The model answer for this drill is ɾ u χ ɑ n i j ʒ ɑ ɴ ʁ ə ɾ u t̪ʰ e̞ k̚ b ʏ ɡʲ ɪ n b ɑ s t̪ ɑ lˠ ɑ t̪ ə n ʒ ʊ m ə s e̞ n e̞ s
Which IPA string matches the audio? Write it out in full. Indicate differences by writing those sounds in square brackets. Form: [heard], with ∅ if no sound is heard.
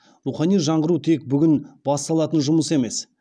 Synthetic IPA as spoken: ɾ u χ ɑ n i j ʒ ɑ ɴ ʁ ə ɾ u t̪ʰ e̞ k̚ b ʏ ɡʲ ɪ n b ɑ s t̪ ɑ lˠ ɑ t̪ ə n ʒ ʊ m ə s e̞ [m] e̞ s